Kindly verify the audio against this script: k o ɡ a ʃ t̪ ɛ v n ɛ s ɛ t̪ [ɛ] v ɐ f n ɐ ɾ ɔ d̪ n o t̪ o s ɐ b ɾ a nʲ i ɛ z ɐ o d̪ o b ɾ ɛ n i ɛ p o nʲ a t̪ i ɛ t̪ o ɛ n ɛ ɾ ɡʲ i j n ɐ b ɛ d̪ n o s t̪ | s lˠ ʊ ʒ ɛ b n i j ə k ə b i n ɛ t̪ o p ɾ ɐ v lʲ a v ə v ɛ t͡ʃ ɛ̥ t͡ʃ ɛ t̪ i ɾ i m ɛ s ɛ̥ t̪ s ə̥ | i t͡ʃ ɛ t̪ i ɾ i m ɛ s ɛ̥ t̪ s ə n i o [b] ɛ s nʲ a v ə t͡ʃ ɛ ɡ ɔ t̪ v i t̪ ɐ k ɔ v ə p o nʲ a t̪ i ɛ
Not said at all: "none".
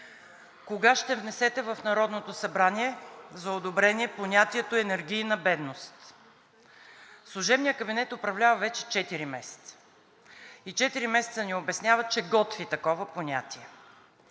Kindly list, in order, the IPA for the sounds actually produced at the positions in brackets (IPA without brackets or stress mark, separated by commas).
ɛ, b